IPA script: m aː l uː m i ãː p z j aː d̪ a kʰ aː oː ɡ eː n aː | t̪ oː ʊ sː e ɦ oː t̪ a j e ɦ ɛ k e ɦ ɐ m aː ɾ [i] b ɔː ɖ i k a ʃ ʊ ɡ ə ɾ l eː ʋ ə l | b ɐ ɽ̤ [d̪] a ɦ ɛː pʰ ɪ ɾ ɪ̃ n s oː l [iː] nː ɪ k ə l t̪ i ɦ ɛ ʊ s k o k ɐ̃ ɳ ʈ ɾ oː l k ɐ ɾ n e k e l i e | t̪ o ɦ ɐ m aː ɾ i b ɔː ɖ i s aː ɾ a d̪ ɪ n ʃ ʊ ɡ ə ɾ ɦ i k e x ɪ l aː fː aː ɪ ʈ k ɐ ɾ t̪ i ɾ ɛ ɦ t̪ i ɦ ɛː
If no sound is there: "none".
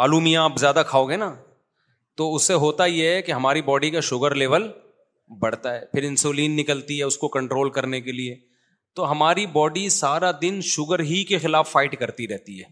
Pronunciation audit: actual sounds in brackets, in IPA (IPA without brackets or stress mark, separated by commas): i, t̪, iː